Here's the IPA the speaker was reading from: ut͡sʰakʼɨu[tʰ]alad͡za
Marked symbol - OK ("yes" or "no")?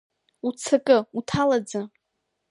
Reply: yes